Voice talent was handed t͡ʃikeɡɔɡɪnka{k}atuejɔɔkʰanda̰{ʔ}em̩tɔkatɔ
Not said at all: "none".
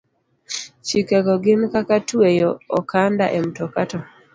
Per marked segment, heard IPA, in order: k, ʔ

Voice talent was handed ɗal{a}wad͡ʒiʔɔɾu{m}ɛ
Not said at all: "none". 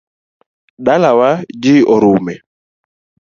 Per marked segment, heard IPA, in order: a, m

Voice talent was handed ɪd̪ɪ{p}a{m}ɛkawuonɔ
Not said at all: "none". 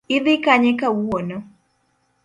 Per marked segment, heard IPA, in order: k, ɲ

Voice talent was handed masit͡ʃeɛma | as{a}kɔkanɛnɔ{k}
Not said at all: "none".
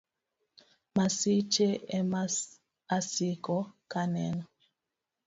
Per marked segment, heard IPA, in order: i, none

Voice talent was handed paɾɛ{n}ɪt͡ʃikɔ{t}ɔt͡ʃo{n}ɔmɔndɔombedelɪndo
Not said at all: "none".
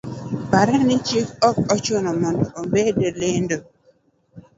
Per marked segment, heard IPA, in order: n, k, n

